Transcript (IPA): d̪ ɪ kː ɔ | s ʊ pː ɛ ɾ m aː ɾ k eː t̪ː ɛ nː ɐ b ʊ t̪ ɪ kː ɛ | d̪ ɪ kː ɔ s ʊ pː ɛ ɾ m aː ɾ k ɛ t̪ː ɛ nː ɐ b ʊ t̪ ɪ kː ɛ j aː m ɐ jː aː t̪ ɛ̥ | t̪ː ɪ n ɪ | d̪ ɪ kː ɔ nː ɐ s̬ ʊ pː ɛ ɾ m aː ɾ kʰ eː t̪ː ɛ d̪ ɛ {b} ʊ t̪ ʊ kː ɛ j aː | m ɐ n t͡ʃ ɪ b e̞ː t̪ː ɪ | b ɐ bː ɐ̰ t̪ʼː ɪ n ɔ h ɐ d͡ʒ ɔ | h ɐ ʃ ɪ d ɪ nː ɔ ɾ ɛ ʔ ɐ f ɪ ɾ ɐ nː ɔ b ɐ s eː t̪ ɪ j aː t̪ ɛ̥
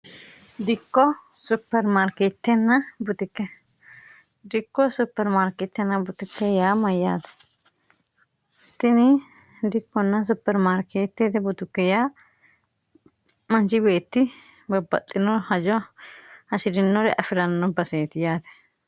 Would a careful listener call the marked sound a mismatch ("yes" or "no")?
no